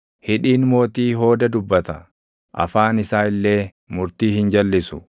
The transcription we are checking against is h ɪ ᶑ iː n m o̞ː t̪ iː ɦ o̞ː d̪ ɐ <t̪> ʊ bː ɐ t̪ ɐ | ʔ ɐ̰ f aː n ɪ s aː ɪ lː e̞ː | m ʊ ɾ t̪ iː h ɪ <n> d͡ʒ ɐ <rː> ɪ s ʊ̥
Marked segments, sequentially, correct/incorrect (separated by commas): incorrect, correct, incorrect